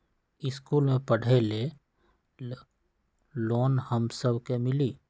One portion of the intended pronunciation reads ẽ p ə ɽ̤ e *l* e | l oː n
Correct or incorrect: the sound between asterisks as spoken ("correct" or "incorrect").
correct